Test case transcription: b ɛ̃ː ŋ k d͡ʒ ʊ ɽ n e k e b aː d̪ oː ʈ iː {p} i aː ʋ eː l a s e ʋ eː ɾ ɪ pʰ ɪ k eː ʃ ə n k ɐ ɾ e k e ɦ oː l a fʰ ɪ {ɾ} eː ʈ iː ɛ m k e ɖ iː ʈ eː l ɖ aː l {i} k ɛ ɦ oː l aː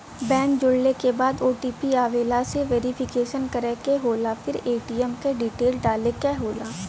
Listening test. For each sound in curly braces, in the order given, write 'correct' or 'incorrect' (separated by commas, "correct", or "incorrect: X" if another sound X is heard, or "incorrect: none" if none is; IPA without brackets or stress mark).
correct, correct, incorrect: e